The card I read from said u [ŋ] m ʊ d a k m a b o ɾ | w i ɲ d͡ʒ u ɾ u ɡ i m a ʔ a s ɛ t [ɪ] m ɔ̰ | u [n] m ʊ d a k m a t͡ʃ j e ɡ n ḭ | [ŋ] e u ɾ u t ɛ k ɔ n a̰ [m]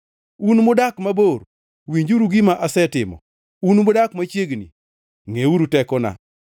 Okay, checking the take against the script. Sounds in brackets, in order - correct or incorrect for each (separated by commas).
incorrect, correct, correct, correct, incorrect